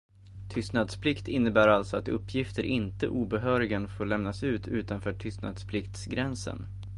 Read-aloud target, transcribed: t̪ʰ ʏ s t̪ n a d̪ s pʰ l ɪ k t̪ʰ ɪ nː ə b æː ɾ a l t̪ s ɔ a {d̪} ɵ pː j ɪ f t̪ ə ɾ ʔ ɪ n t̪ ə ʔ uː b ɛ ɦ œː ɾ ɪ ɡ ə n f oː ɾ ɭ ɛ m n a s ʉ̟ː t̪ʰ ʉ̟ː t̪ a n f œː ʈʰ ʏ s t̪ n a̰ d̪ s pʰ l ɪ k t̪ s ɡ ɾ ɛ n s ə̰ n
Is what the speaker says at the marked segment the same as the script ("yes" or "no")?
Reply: no